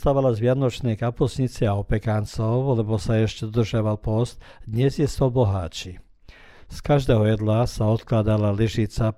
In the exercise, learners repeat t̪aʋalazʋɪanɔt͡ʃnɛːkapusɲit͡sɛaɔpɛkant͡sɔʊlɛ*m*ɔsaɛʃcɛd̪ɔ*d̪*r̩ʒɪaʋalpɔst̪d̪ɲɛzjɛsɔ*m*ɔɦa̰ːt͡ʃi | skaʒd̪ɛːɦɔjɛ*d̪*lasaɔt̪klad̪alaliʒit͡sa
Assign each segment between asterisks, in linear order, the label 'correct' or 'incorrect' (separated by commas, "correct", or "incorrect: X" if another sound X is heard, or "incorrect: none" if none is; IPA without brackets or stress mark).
incorrect: b, correct, incorrect: b, correct